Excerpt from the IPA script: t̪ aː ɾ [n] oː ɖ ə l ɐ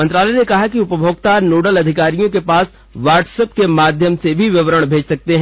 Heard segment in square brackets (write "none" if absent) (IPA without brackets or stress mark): n